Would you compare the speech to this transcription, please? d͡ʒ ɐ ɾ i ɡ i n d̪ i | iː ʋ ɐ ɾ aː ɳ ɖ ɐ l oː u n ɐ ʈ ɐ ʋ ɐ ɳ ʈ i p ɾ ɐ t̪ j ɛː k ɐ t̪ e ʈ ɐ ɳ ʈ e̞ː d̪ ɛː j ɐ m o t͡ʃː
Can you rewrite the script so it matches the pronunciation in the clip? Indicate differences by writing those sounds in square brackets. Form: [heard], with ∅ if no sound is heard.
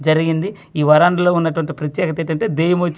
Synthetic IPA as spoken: d͡ʒ ɐ ɾ i ɡ i n d̪ i | iː ʋ ɐ ɾ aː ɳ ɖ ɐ l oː u [nː] ɐ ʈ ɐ ʋ ɐ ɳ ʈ i p ɾ ɐ t̪ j ɛː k ɐ t̪ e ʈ ɐ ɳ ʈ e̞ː d̪ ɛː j ɐ m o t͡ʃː